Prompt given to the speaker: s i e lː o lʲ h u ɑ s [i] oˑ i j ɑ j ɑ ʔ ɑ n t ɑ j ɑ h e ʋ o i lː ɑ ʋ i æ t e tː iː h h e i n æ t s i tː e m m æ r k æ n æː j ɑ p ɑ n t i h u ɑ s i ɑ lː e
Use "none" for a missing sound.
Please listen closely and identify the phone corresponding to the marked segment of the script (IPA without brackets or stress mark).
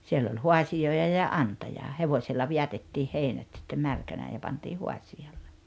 i